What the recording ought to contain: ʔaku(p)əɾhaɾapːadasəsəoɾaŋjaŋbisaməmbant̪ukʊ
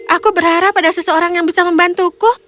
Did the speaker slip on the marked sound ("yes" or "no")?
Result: yes